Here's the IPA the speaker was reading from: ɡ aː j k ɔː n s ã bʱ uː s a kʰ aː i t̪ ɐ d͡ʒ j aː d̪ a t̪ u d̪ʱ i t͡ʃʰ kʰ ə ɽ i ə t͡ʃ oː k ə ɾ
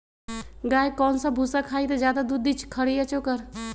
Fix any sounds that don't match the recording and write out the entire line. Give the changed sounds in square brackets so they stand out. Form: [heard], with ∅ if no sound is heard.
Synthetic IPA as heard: ɡ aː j k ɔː n s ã bʱ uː s a kʰ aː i t̪ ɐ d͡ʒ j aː d̪ a [d̪] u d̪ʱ i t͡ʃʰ kʰ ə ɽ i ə t͡ʃ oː k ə ɾ